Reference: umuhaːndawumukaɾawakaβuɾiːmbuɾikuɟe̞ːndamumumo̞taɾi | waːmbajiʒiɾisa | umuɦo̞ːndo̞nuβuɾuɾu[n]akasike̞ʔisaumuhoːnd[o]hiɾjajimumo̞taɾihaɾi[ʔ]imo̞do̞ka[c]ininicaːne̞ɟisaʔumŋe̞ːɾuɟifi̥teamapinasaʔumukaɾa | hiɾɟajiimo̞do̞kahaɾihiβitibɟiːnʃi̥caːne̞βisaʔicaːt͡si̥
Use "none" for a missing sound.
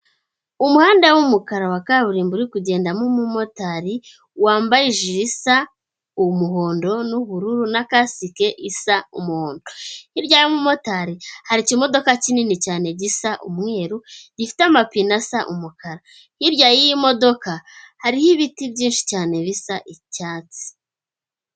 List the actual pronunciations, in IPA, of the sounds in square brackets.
n, o, c, c

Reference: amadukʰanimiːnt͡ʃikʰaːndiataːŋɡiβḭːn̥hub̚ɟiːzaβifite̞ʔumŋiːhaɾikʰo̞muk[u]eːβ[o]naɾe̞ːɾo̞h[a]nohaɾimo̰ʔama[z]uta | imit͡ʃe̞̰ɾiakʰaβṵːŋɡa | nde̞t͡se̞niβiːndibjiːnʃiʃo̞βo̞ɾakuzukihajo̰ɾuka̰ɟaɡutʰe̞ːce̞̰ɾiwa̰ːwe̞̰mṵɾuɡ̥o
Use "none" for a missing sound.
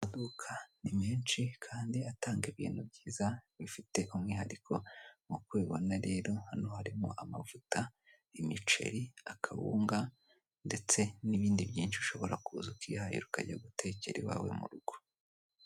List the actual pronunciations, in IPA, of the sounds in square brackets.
w, o, a, v

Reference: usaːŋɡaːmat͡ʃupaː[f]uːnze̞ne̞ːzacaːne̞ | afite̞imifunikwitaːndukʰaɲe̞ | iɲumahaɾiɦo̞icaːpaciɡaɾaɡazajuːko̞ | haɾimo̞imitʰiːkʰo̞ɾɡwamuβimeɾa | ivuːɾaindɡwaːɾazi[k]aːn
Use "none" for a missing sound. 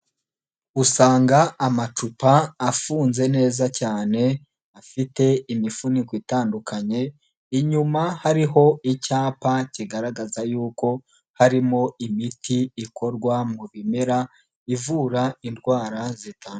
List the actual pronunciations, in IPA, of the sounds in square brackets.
f, t

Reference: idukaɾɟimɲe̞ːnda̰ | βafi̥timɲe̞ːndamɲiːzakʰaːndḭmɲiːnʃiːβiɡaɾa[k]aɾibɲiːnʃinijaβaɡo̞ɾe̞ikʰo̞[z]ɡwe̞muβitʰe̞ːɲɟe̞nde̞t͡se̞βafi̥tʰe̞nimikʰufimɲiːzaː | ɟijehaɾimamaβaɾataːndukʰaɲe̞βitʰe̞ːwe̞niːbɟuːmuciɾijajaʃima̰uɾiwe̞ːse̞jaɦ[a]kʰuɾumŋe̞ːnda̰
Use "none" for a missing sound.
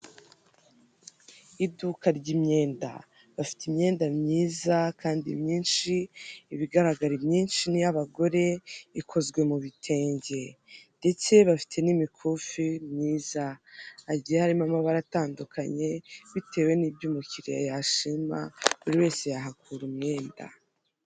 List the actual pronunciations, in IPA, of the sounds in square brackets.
ɡ, z, a

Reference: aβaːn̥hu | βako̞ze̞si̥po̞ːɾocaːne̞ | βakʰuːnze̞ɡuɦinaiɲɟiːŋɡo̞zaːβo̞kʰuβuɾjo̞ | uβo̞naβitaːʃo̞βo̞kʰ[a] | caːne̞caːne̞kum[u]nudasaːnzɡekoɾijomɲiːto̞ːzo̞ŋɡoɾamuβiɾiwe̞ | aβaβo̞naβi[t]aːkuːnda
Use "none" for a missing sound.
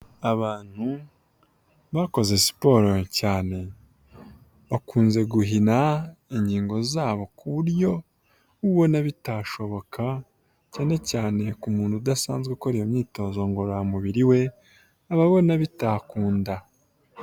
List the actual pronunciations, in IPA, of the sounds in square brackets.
a, uː, t

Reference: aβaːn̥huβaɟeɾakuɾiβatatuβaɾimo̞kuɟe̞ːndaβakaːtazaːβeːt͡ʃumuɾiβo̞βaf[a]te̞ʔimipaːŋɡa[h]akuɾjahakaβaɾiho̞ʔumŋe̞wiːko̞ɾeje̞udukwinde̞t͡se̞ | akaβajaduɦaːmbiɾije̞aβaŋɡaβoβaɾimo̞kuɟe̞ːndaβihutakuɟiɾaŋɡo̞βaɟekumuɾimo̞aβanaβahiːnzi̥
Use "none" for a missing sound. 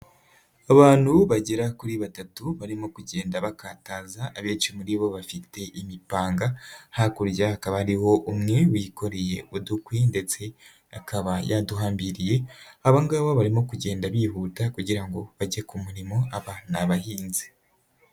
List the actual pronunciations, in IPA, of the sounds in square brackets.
i, h

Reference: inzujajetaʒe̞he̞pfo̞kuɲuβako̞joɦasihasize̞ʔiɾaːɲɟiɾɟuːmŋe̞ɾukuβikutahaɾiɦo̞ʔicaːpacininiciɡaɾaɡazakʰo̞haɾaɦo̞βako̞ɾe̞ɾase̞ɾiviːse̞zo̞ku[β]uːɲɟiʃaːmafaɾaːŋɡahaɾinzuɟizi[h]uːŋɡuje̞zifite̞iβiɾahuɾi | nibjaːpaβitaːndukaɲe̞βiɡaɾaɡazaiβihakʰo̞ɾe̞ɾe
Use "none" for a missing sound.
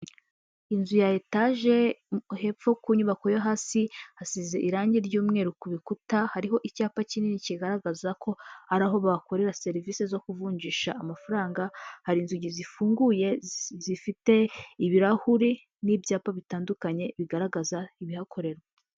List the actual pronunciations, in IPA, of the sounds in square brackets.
v, f

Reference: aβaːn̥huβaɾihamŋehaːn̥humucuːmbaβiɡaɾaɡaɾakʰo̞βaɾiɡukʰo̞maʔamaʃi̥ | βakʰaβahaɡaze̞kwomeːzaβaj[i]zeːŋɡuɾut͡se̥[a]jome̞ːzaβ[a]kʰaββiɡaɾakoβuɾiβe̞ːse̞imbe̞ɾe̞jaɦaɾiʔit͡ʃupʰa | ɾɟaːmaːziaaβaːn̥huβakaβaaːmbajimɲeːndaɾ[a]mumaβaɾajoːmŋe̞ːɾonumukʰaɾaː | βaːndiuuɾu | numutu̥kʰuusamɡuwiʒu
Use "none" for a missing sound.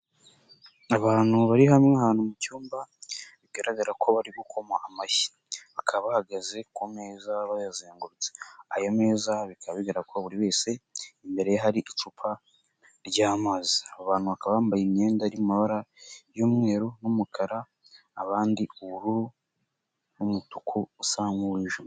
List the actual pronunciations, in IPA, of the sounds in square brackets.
a, a, i, i

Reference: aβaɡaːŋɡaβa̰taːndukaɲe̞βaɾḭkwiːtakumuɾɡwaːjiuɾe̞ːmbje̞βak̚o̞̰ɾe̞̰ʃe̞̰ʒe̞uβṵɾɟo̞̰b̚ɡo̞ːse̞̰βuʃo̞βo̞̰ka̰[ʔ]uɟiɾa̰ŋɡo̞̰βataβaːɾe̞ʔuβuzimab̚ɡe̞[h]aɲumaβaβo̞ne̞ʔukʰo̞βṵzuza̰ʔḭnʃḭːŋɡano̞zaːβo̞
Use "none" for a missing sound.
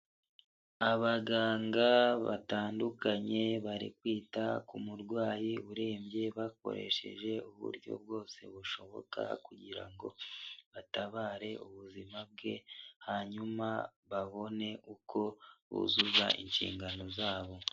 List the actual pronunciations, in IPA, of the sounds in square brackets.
k, h

